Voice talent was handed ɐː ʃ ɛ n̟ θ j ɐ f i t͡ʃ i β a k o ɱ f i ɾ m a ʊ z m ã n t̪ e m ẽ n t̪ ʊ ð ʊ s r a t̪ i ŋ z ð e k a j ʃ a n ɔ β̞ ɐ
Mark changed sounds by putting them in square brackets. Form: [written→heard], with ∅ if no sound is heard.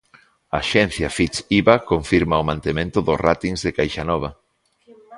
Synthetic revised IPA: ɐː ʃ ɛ n̟ θ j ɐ f i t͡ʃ i β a k o ɱ f i ɾ m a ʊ [z→∅] m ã n t̪ e m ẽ n t̪ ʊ ð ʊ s r a t̪ i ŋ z ð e k a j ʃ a n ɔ β̞ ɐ